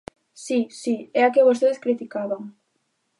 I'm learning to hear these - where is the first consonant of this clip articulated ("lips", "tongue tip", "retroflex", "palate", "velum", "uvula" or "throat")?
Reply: tongue tip